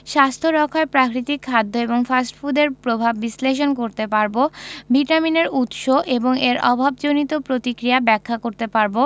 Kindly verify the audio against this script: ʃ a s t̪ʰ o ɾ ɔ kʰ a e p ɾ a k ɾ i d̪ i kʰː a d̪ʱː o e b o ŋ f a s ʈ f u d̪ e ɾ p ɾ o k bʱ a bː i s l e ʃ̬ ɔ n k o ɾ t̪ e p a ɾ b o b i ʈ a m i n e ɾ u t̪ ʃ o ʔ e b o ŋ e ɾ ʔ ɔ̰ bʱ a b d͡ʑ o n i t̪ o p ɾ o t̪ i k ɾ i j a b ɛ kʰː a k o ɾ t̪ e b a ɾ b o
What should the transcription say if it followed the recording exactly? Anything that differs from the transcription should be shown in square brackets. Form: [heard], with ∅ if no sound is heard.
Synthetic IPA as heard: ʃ a s t̪ʰ o ɾ ɔ kʰ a e p ɾ a k ɾ i [t̪] i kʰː a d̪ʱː o e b o ŋ f a s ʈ f u d̪ e ɾ p ɾ o [∅] bʱ a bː i s l e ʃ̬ [o] n k o ɾ t̪ e p a ɾ b o b i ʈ a m i n e ɾ u t̪ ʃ o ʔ e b o ŋ e ɾ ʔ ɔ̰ bʱ a b d͡ʑ o n i t̪ o p ɾ o t̪ i k ɾ i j a b ɛ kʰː a k o ɾ t̪ e [p] a ɾ b o

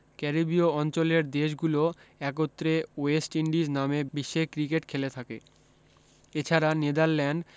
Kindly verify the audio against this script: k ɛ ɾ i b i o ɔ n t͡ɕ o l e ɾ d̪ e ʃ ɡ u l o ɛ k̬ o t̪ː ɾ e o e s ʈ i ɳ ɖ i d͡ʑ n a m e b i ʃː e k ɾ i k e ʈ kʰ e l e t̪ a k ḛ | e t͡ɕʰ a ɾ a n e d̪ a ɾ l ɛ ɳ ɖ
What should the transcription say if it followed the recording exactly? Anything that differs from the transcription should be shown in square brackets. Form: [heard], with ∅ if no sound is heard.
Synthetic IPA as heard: k ɛ ɾ i b i o ɔ n t͡ɕ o l e ɾ d̪ e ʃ ɡ u l o ɛ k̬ o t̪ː ɾ e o e s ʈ i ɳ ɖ i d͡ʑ n a m e b i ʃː e k ɾ i k e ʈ kʰ e l e [t̪ʰ] a k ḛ | e t͡ɕʰ a ɾ a n e d̪ a ɾ l ɛ ɳ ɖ

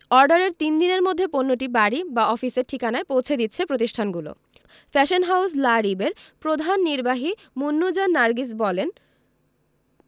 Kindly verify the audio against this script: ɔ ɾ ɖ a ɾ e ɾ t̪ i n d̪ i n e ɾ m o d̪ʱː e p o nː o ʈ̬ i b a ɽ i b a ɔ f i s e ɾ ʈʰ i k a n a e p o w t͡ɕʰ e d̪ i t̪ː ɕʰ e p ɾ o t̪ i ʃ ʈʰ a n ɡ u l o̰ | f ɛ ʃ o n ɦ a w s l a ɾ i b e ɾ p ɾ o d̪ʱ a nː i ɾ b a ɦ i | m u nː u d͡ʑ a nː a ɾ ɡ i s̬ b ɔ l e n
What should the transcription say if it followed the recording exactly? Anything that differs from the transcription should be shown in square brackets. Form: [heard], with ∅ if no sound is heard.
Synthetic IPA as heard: ɔ ɾ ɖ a ɾ e ɾ t̪ i n d̪ i n e ɾ m o d̪ʱː e p o nː o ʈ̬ i b a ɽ i b a ɔ f i s e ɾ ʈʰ i k a n a e p o w t͡ɕʰ e d̪ i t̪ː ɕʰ e p ɾ o t̪ i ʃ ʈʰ a n ɡ u l o̰ | f ɛ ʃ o n ɦ a w s l a ɾ i b e ɾ p ɾ o d̪ʱ a nː i ɾ b a ɦ i | m u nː u d͡ʑ a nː a ɾ ɡ i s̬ b ɔ l e n

